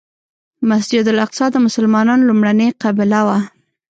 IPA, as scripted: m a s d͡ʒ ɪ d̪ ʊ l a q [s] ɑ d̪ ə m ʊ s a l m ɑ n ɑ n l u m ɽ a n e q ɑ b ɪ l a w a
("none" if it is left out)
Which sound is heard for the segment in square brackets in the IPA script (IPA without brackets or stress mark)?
s